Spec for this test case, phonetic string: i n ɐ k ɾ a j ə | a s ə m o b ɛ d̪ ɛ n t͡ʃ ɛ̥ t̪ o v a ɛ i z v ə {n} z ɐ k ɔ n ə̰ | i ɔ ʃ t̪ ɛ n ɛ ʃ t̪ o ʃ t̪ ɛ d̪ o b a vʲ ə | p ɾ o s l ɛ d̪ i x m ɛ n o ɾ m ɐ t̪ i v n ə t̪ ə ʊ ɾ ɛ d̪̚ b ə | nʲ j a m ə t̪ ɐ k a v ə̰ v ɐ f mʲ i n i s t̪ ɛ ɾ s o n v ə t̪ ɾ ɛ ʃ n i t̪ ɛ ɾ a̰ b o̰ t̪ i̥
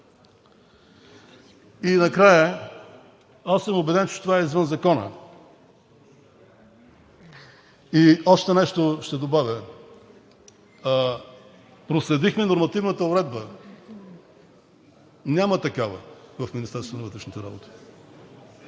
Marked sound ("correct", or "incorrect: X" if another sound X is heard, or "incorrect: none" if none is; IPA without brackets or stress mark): correct